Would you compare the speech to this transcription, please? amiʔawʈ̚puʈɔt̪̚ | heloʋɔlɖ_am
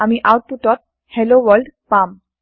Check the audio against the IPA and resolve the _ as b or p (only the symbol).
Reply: p